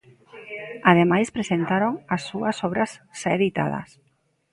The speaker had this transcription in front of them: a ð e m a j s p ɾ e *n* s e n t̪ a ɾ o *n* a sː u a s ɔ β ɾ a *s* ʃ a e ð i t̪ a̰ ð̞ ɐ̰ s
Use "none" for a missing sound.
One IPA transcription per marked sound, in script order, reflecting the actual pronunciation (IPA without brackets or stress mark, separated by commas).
none, ŋ, s